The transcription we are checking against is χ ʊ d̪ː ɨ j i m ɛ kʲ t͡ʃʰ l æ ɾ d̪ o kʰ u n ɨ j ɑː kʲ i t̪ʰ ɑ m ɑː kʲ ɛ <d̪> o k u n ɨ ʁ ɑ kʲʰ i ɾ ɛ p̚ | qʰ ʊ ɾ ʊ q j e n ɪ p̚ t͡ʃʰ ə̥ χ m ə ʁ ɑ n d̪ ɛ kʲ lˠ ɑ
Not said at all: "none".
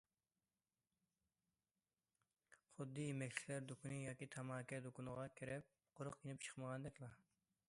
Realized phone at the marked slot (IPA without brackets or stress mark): d̪